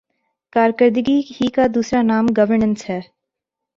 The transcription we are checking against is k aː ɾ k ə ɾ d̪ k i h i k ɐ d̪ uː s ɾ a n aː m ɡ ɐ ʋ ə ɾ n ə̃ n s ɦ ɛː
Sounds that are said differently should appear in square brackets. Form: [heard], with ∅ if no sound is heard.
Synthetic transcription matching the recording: k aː ɾ k ə ɾ d̪ [ɡ] i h i k [a] d̪ uː s ɾ a n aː m ɡ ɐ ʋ ə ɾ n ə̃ n s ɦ ɛː